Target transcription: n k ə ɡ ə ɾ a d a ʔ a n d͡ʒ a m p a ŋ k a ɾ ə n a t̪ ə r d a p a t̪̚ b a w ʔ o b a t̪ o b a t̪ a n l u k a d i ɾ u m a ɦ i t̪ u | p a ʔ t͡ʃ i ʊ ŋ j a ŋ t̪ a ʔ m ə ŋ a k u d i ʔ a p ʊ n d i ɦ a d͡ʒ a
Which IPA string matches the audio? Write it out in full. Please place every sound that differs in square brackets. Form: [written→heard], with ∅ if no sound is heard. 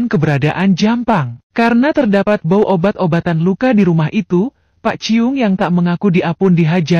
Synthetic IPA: n k ə [ɡ→b] ə ɾ a d a ʔ a n d͡ʒ a m p a ŋ k a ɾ ə n a t̪ ə r d a p a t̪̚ b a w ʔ o b a t̪ o b a t̪ a n l u k a d i ɾ u m a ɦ i t̪ u | p a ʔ t͡ʃ i ʊ ŋ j a ŋ t̪ a ʔ m ə ŋ a k u d i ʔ a p ʊ n d i ɦ a d͡ʒ a